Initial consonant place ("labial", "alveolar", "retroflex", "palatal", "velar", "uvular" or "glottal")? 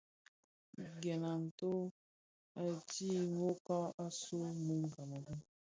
velar